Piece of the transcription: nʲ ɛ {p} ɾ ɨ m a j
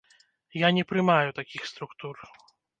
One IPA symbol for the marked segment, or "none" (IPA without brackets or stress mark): p